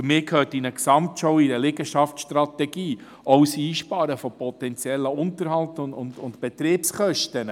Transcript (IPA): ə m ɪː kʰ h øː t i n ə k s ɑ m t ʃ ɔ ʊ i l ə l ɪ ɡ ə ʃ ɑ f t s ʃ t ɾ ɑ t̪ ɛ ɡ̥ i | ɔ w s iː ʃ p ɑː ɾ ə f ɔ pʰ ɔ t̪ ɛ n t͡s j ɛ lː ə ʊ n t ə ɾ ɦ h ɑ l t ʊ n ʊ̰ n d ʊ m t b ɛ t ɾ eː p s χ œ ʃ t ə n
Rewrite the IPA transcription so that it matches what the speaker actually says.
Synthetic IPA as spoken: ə m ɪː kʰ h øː t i n ə k s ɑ m t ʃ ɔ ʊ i ɾ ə l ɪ ɡ ə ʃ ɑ f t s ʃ t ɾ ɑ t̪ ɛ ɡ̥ iː | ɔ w s iː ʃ p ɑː ɾ ə f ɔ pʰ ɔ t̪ ɛ n t͡s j ɛ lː ə ʊ n t ə ɾ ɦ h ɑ l t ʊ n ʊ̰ n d ʊ n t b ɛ t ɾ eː p s χ œ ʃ t ə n

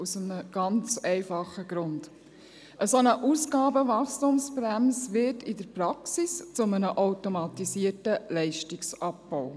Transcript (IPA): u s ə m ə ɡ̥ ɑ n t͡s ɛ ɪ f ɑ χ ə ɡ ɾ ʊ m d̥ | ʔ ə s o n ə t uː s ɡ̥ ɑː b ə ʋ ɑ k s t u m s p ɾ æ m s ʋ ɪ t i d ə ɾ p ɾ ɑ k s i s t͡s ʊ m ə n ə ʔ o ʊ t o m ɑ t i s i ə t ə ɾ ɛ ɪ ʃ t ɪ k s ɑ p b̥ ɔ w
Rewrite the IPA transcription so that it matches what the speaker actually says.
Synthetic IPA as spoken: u s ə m ə ɡ̥ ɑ n t͡s ɛ ɪ f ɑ χ ə ɡ ɾ ʊ n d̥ | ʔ ə s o n ə ʔ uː s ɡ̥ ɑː b ə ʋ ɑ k s t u m s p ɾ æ m s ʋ ɪ t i d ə ɾ p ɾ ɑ k s i s t͡s ʊ m ə n ə ʔ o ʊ t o m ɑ t i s i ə t ə l ɛ ɪ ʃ t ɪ k s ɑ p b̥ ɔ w

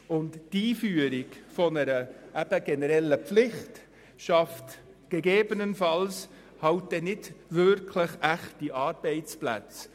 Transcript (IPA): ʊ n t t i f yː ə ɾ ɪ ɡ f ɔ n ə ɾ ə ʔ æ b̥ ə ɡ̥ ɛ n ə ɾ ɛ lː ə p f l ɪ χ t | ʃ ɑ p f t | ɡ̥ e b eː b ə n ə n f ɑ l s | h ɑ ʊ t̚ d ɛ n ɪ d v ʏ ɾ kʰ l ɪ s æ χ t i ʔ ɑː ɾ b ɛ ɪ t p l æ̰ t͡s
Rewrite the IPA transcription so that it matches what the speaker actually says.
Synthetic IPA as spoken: ʊ n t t iː f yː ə ɾ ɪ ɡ f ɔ n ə ɾ ə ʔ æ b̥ ə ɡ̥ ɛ n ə ɾ ɛ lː ə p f l ɪ χ t | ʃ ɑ f t | ɡ̥ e ɡ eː b ə n ə n f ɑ l s | h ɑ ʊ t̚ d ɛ n ɪ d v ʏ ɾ kʰ l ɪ χ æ χ t i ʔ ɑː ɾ b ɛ ɪ t͡s p l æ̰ t͡s

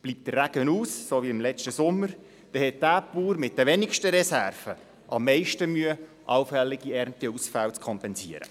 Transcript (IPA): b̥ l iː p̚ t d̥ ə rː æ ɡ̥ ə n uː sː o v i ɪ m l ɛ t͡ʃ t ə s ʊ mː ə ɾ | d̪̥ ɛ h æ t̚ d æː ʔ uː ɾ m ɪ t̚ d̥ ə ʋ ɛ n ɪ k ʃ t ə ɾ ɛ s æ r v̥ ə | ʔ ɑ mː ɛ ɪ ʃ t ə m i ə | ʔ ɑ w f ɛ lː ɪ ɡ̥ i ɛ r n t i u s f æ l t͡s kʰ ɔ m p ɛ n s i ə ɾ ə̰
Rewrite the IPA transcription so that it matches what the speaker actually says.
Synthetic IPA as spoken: b̥ l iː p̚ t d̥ ə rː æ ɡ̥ ə n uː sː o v i ɪ m l ɛ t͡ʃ t ə s ʊ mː ə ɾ | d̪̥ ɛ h ɛ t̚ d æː p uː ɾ m ɪ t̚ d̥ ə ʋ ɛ n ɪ k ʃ t ə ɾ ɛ s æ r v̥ ə | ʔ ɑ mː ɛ ɪ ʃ t ə m y ə | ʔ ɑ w f ɛ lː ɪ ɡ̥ i ɛ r n t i u s f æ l t͡s kʰ ɔ m p ɛ n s i ə ɾ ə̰

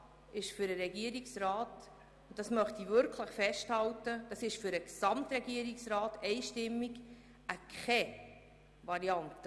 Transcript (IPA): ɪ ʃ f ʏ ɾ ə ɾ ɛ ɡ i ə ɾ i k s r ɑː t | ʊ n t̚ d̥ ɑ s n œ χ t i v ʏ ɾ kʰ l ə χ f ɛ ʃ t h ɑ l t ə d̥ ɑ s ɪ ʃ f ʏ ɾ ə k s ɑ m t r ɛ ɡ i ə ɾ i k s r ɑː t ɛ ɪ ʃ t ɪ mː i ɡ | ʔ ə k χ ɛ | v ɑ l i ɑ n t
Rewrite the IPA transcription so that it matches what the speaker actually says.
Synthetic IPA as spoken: ɪ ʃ f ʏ ɾ ə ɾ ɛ ɡ i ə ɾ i k s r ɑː t | ʊ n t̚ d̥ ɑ s m œ χ t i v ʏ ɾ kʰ l ə χ f ɛ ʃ t h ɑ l t ə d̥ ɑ s ɪ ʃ f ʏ ɾ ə k s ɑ m t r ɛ ɡ i ə ɾ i k s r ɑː t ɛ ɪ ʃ t ɪ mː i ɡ | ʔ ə k χ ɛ | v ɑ ɾ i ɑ n t

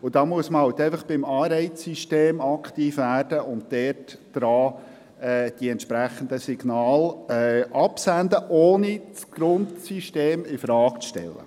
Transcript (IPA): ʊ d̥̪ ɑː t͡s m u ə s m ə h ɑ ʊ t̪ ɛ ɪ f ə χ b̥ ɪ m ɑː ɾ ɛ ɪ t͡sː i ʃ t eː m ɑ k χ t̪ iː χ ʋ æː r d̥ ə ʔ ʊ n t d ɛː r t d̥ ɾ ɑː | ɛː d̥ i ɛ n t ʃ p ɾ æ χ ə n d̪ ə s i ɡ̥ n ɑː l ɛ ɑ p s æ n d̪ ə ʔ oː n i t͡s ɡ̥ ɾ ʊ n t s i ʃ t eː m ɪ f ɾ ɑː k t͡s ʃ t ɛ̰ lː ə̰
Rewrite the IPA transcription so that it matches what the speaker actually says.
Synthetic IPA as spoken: ʊ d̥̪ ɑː m u ə s m ə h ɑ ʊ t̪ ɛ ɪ f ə χ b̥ ɪ m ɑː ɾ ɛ ɪ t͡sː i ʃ t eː m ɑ k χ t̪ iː f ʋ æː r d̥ ə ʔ ʊ n t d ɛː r t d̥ ɾ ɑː | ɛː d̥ i ɛ n t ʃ p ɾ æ χ ə n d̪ ə s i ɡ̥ n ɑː l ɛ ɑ p s æ n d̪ ə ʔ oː n i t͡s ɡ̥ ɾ ʊ n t s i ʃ t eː m ɪ f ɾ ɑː k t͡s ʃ t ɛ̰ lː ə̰

